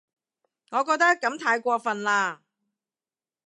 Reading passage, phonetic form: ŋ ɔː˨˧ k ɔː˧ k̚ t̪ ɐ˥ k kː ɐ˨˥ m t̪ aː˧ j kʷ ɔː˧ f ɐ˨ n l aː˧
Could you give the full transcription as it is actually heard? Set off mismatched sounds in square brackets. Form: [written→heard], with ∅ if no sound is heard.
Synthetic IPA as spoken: ŋ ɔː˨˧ k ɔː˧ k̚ t̪ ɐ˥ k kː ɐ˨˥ m [t̪→t̪ʰ] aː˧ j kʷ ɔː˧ f ɐ˨ n l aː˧